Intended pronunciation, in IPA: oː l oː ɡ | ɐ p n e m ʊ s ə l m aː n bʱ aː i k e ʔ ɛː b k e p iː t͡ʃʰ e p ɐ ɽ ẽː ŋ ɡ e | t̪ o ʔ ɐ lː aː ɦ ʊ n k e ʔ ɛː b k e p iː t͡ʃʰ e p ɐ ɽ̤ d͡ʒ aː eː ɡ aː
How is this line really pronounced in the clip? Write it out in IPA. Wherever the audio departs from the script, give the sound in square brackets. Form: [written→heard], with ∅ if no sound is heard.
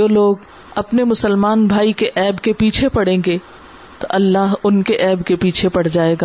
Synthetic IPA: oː l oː ɡ | ɐ p n e m ʊ s ə l m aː n bʱ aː i k e ʔ ɛː b k e p iː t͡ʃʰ e p ɐ ɽ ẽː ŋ ɡ e | t̪ o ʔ ɐ lː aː ɦ ʊ n k e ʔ ɛː b k e p iː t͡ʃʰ e p ɐ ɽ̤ d͡ʒ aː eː ɡ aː